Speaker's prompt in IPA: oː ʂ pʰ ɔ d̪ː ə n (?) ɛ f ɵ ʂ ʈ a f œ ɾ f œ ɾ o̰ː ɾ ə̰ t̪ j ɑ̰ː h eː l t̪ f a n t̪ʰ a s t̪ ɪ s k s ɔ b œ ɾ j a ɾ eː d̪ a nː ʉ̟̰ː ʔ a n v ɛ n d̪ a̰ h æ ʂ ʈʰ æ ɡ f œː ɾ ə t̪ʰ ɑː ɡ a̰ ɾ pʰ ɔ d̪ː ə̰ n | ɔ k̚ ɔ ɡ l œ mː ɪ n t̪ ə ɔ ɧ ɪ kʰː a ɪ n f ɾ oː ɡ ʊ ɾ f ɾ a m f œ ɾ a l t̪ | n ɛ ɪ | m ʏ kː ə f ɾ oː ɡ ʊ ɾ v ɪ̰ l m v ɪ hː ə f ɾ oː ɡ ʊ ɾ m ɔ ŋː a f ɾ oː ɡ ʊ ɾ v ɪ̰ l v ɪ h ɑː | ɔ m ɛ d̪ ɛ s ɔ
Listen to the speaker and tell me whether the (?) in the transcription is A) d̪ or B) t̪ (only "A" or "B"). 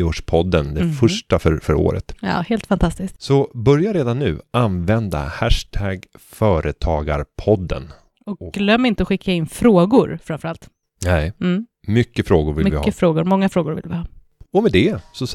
A